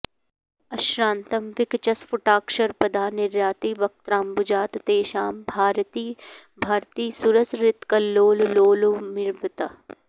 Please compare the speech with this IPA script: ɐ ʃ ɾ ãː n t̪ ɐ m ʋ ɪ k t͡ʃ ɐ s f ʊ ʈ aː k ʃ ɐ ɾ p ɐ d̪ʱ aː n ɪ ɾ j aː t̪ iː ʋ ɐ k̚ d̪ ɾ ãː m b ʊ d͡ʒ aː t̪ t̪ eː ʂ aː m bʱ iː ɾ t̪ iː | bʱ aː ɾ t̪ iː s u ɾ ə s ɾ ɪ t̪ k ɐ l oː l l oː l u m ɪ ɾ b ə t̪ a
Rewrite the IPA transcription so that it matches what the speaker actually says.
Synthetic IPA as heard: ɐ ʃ ɾ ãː n t̪ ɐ m ʋ ɪ k t͡ʃ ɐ s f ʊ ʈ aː k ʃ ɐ ɾ p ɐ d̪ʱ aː n ɪ ɾ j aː t̪ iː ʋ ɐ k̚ t̪ ɾ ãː m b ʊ d͡ʒ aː t̪ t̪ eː ʃ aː m bʱ aː ɾ t̪ iː | bʱ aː ɾ t̪ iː s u ɾ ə s ɾ ɪ t̪ k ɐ l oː l l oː l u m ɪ ɾ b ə t̪ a